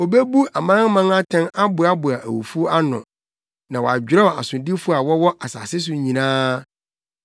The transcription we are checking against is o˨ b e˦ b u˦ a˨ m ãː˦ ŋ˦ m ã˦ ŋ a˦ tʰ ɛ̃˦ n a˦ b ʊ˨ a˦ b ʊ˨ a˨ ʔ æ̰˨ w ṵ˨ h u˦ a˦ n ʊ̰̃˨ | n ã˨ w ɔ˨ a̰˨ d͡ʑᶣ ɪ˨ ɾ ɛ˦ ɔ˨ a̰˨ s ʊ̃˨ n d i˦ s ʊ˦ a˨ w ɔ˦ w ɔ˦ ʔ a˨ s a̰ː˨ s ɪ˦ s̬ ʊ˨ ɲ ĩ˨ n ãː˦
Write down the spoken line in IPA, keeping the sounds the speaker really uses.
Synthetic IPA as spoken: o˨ b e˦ b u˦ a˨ m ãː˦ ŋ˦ m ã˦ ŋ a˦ tʰ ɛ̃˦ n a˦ b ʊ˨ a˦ b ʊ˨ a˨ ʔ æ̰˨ w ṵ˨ f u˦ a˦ n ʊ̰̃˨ | n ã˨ w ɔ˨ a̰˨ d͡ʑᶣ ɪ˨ ɾ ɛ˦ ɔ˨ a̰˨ s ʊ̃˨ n d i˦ f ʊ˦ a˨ w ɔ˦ w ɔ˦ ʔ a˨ s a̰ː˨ s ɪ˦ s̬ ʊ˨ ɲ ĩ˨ n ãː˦